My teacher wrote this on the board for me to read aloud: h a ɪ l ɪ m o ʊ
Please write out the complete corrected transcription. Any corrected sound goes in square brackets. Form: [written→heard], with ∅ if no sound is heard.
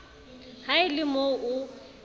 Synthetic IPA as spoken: h a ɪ l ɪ m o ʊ